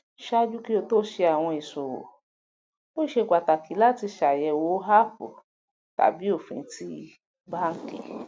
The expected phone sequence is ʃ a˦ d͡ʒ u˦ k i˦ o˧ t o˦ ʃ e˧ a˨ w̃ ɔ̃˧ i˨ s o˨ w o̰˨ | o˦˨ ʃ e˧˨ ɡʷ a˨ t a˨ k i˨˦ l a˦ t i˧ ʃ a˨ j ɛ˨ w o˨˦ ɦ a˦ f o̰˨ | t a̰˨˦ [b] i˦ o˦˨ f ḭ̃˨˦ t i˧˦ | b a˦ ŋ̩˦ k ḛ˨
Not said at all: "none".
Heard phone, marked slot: b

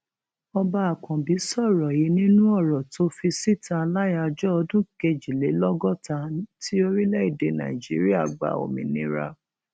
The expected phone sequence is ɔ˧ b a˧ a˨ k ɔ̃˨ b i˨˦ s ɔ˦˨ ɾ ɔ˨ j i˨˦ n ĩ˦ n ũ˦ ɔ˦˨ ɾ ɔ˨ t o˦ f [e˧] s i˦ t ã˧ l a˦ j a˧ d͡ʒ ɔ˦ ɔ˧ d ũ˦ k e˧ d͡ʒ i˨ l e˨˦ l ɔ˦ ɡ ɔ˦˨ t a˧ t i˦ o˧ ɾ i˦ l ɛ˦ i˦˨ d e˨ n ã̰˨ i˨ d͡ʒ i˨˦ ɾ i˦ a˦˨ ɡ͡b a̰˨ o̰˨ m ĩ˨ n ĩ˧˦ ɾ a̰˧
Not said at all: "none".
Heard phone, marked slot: i˧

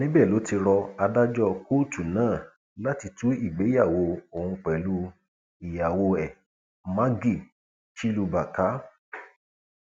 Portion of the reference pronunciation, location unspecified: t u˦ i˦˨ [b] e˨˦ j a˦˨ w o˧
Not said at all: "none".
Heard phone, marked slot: ɡ͡b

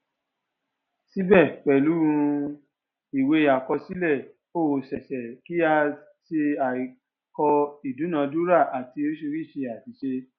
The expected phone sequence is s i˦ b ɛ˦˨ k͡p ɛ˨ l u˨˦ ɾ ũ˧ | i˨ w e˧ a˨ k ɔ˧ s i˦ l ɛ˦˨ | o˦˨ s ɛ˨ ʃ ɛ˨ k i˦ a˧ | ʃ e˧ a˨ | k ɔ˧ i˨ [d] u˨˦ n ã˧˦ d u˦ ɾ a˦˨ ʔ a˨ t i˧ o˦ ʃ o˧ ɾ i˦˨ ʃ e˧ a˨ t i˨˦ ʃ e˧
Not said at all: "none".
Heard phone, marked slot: d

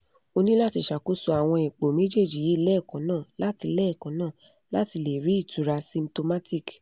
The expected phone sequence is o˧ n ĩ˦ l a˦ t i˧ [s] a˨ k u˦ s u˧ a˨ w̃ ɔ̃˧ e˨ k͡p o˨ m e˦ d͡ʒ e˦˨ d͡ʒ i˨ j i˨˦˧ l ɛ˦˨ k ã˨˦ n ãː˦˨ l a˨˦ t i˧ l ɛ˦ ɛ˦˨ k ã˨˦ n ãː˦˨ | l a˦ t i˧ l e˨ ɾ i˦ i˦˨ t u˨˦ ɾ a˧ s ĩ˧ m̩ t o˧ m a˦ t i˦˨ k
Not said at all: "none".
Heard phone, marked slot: ʃ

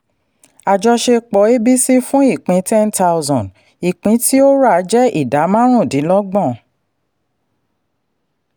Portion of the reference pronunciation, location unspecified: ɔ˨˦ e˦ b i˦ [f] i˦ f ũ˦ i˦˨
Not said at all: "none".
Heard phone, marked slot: s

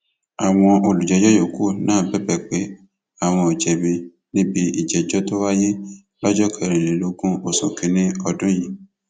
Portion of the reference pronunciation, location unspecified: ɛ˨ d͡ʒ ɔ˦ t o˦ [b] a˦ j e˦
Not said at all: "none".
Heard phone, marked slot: w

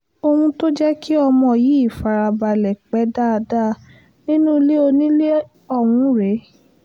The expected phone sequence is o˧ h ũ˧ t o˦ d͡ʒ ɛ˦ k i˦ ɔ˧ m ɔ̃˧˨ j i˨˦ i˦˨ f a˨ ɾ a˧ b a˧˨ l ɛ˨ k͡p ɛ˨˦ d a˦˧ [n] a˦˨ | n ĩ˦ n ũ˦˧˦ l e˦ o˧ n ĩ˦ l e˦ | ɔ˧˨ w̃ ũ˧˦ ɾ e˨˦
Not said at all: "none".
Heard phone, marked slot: d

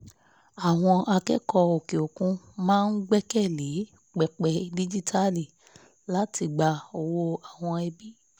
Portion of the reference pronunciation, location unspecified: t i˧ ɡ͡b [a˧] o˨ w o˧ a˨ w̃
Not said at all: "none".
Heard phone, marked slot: a˧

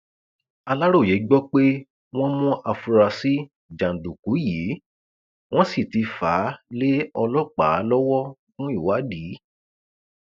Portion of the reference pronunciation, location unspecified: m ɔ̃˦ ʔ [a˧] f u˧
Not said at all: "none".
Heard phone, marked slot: a˧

